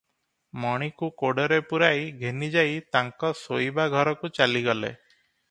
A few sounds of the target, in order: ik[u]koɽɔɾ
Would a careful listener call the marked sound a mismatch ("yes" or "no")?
no